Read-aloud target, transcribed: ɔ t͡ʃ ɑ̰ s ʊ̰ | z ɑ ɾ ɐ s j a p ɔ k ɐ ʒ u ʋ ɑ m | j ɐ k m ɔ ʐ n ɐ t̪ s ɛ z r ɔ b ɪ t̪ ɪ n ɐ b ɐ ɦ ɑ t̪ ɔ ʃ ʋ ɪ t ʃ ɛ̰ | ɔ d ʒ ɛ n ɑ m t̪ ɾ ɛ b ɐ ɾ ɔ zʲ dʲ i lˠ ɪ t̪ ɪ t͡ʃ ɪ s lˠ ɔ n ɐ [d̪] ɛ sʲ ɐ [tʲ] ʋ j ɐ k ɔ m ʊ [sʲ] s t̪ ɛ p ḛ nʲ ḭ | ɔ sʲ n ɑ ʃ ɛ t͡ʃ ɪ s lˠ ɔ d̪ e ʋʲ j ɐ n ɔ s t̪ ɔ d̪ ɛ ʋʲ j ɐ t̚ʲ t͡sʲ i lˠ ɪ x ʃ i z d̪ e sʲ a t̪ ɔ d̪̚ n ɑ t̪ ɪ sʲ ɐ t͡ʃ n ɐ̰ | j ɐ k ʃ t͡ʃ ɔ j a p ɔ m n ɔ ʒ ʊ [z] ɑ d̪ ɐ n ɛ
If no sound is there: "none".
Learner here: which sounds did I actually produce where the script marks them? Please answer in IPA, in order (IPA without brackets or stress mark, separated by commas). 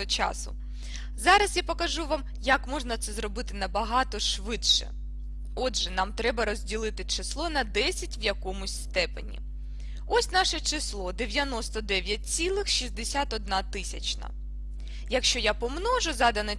d̪, tʲ, sʲ, z